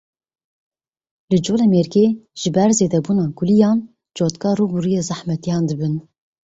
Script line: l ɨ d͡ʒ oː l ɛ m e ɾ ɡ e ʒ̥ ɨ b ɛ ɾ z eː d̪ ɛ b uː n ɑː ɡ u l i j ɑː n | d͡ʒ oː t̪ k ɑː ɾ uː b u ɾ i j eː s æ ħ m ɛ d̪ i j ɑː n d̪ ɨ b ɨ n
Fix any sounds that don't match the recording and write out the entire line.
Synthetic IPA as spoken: l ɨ d͡ʒ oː l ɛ m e ɾ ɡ e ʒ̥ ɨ b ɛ ɾ z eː d̪ ɛ b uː n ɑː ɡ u l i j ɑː n | d͡ʒ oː t̪ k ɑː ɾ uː b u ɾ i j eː z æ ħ m ɛ t̪ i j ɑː n d̪ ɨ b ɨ n